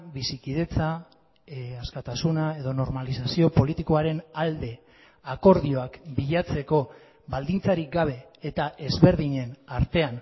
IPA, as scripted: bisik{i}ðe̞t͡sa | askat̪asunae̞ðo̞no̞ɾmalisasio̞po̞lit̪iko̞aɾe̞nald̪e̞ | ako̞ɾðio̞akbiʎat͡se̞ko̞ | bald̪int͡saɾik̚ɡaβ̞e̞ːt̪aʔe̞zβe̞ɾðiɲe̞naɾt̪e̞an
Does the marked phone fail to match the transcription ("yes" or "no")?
no